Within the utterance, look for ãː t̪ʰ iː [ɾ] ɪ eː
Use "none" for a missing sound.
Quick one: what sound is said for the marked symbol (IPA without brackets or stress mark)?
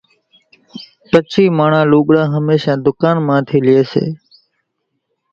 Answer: l